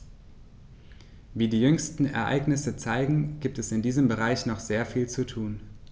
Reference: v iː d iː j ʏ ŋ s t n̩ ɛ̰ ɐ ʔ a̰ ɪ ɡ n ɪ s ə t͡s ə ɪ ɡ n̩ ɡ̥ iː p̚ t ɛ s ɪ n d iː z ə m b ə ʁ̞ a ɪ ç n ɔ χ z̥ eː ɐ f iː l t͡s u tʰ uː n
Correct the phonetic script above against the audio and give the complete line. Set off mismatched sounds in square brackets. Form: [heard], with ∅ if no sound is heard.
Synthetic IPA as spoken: v iː d iː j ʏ ŋ s t n̩ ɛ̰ ɐ ʔ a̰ ɪ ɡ n ɪ s ə t͡s [a] ɪ ɡ [ŋ̩] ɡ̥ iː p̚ t ɛ s ɪ n d iː z ə m b ə ʁ̞ a ɪ ç n ɔ χ z̥ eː ɐ f iː l t͡s u tʰ uː n